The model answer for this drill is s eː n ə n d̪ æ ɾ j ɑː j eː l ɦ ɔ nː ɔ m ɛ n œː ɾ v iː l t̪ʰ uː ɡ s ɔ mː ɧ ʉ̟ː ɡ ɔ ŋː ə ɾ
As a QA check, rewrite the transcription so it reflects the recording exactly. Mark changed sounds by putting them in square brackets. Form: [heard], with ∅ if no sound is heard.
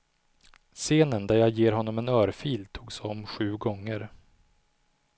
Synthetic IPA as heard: s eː n ə n d̪ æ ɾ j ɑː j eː [ɾ] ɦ ɔ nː ɔ m ɛ n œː ɾ [f] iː l t̪ʰ uː ɡ s ɔ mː ɧ ʉ̟ː ɡ ɔ ŋː ə ɾ